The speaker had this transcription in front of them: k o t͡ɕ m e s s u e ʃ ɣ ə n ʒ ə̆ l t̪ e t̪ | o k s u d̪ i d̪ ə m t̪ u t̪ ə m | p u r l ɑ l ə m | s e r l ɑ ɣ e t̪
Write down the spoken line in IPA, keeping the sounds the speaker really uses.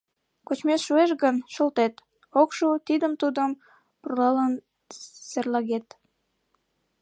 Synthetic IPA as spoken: k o t͡ɕ m e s ʃ u e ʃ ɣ ə n ʃ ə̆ l t̪ e t̪ | o k ʃ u t̪ i d̪ ə m t̪ u d̪ ə m | p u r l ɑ l ə n | s e r l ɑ ɣ e t̪